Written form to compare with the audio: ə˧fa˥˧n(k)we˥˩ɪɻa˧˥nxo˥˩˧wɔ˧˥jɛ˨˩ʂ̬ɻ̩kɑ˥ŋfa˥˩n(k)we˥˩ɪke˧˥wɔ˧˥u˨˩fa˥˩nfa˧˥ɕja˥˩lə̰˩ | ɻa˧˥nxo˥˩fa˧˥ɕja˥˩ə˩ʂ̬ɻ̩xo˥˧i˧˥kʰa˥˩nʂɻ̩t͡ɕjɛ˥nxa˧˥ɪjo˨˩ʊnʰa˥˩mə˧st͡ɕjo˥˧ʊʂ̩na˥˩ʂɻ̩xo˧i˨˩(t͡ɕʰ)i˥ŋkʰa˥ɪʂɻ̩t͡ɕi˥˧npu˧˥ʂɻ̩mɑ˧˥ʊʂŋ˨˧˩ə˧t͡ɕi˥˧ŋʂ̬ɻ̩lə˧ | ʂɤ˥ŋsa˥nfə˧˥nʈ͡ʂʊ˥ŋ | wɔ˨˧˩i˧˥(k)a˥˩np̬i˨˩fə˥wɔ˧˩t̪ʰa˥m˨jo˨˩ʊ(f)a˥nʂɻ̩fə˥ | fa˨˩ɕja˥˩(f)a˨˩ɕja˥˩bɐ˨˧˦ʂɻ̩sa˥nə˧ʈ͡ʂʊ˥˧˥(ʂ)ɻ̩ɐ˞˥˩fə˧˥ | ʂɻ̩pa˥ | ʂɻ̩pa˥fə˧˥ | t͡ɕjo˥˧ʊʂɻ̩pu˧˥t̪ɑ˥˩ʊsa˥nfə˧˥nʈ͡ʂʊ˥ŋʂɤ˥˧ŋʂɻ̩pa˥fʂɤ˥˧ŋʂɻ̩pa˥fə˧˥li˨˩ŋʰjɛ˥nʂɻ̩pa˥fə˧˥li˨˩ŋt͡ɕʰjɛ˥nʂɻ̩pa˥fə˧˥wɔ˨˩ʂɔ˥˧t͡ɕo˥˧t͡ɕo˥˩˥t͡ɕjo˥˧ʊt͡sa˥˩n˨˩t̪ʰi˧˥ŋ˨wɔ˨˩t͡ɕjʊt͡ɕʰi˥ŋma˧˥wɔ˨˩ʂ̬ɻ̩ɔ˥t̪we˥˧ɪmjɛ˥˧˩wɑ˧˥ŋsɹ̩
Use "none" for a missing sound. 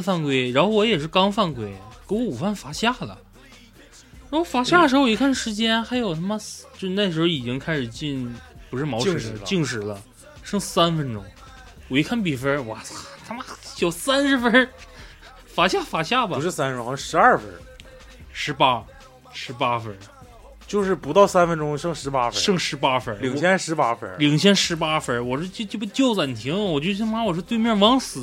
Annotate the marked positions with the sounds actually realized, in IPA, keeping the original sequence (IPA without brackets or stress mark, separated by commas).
k, k, t͡ɕ, kʰ, s, f, ʂ